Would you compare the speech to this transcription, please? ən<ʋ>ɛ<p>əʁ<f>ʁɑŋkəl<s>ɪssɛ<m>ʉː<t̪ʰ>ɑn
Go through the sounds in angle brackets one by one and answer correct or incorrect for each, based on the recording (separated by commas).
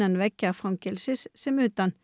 correct, incorrect, correct, correct, correct, incorrect